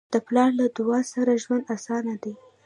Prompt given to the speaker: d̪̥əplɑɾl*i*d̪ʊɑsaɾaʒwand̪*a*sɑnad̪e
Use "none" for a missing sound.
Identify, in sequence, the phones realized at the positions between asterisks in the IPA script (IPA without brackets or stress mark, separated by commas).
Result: a, a